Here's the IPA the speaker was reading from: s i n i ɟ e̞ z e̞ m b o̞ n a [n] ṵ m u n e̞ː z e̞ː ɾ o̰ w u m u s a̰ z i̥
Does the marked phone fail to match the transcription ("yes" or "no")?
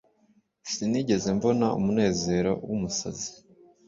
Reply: yes